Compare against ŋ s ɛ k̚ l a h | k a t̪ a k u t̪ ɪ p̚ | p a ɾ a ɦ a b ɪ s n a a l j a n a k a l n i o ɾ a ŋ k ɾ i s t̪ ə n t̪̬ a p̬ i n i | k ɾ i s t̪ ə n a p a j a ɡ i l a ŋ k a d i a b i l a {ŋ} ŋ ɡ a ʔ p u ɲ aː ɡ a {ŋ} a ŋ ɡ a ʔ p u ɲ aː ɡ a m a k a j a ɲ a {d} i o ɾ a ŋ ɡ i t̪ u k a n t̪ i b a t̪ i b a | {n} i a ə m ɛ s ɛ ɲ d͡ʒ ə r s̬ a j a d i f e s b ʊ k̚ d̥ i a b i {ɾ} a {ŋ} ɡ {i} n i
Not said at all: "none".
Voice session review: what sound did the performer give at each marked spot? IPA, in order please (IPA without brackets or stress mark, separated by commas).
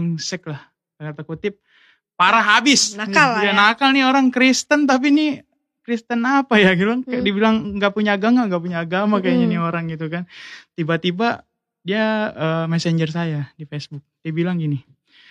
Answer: ŋ, ŋ, n, d, l, ŋ, i